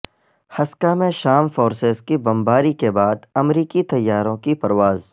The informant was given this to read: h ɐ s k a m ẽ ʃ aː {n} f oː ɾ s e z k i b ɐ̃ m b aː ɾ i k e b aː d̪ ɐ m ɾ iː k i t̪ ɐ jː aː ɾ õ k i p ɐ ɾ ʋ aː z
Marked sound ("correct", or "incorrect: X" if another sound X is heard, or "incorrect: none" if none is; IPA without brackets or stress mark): incorrect: m